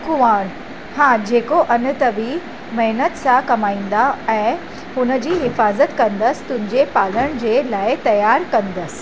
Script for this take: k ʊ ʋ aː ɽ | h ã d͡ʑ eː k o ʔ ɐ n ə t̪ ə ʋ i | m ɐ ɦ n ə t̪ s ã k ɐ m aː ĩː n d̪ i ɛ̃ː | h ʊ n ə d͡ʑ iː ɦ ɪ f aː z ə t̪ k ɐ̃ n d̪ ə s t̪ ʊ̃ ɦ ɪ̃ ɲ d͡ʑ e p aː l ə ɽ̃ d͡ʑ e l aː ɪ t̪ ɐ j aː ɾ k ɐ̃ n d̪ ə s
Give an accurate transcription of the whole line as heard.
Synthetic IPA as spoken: k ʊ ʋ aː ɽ | h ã d͡ʑ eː k o ʔ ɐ n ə t̪ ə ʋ i | m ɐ ɦ n ə t̪ s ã k ɐ m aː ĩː n d̪ a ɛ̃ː | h ʊ n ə d͡ʑ iː ɦ ɪ f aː z ə t̪ k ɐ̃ n d̪ ə s t̪ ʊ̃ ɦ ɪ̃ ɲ d͡ʑ e p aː l ə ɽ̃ d͡ʑ e l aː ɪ t̪ ɐ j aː ɾ k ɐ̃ n d̪ ə s